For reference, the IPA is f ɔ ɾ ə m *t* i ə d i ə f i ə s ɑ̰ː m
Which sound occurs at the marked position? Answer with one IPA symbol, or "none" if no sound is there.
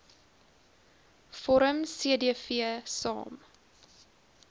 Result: s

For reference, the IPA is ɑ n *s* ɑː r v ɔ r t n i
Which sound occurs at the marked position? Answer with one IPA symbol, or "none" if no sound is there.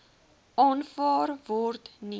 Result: f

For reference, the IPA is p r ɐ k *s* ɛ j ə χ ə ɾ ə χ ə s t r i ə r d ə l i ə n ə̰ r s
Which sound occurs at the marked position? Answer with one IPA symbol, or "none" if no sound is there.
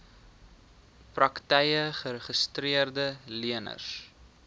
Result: t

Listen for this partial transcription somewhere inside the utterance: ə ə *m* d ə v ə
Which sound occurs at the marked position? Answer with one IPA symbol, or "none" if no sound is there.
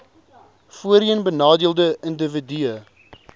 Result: n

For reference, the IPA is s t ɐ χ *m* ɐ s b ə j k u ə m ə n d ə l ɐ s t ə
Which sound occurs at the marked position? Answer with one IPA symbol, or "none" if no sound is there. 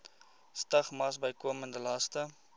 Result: m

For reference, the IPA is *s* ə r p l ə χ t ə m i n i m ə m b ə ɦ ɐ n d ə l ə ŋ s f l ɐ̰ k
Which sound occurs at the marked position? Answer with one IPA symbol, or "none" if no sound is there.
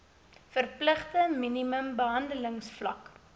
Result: f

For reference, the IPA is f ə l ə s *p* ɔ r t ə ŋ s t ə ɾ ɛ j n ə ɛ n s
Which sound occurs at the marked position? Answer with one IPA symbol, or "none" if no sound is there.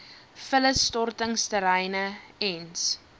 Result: t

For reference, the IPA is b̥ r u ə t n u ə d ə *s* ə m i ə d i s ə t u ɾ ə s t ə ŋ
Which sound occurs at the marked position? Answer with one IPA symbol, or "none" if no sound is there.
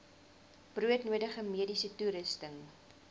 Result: χ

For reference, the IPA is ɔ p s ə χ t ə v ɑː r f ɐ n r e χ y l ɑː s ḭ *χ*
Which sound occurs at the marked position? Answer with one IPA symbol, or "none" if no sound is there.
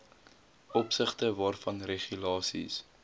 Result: s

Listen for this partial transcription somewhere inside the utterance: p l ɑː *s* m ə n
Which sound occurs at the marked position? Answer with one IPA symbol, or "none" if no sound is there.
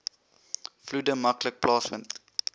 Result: s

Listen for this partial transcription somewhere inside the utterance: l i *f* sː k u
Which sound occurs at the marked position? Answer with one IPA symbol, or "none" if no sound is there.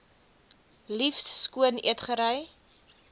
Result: f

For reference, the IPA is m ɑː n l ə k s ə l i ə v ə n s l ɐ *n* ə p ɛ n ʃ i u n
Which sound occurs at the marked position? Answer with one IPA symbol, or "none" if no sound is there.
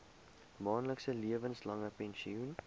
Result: ŋ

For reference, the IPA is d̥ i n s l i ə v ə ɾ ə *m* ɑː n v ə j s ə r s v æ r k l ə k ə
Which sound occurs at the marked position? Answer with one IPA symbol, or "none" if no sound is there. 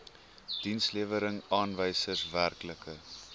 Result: ŋ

